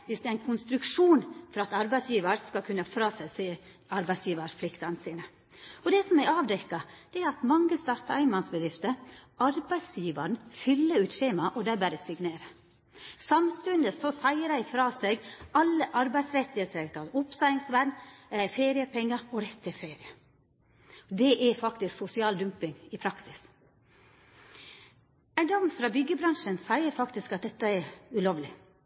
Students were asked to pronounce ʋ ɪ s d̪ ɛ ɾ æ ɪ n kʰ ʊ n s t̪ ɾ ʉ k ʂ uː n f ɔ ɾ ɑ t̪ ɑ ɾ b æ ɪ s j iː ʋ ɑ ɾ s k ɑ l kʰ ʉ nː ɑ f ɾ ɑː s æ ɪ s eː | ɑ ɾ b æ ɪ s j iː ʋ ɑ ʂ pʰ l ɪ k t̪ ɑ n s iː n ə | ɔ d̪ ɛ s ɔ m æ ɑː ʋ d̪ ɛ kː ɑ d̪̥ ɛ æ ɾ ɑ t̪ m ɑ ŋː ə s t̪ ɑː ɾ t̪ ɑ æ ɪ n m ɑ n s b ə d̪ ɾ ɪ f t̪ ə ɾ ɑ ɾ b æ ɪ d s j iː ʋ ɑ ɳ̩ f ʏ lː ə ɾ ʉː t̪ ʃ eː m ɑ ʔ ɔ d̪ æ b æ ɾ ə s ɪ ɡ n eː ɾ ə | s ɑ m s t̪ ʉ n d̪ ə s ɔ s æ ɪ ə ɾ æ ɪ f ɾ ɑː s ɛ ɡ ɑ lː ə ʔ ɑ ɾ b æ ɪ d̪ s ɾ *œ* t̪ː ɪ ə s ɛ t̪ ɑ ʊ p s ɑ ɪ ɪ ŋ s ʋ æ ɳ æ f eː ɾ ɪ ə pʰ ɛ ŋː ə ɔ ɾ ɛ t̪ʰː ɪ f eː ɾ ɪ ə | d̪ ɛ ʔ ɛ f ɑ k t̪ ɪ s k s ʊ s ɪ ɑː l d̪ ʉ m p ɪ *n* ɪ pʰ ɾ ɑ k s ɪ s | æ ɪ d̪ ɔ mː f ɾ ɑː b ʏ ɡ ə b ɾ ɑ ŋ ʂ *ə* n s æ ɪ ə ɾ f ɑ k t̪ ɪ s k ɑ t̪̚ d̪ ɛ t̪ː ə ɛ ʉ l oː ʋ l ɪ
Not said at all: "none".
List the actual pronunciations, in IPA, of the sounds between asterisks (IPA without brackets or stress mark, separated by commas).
ɛ, ŋ, ə